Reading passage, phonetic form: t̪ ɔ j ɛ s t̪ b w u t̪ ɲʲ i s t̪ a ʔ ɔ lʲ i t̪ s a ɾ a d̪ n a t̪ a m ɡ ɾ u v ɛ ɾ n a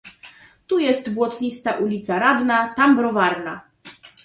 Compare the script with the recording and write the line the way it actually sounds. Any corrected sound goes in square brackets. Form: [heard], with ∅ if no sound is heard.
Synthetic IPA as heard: t̪ [u] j ɛ s t̪ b w [ɔ] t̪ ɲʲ i s t̪ a ʔ [u] lʲ i t̪ s a ɾ a d̪ n a t̪ a m [b] ɾ [ɔ] v [a] ɾ n a